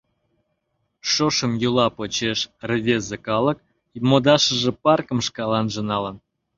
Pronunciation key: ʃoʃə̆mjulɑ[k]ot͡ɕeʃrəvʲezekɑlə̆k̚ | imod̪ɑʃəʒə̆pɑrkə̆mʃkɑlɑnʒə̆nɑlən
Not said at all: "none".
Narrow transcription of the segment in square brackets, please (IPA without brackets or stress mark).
p